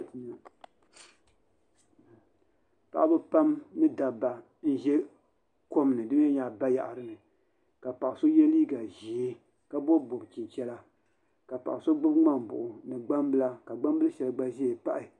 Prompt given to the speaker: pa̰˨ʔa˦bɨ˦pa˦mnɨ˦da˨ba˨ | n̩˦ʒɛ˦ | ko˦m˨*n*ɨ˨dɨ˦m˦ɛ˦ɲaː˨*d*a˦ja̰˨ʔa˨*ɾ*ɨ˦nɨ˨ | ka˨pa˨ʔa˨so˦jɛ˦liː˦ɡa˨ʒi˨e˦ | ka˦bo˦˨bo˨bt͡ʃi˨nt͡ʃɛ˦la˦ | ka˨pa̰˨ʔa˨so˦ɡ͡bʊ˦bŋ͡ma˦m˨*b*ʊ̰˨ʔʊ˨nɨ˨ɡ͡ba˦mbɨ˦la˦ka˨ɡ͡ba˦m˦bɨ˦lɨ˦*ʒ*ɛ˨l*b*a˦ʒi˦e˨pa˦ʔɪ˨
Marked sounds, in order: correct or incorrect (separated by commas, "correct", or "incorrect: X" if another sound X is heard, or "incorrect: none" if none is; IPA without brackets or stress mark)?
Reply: correct, incorrect: b, correct, correct, incorrect: ʃ, incorrect: ɡ͡b